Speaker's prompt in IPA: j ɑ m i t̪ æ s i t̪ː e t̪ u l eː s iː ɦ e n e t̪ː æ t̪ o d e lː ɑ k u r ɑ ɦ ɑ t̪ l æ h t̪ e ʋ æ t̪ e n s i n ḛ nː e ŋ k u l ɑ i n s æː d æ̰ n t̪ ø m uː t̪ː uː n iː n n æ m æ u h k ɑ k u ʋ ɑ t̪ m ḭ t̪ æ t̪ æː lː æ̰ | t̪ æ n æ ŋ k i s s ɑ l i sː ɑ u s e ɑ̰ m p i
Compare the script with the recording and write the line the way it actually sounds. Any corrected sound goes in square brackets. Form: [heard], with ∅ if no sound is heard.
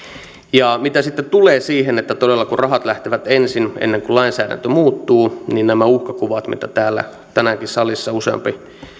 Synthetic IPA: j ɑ m i t̪ æ s i t̪ː e t̪ u l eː s iː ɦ e n e t̪ː æ t̪ o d e lː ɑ k u r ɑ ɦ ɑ t̪ l æ h t̪ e ʋ æ t̪ e n s i n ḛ nː e ŋ k u l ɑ i n s æː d æ̰ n t̪ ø m uː t̪ː uː n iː n n æ m æ u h k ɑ k u ʋ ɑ t̪ m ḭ t̪ æ t̪ æː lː æ̰ | t̪ æ n æ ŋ k i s s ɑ l i sː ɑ u s e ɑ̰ m p i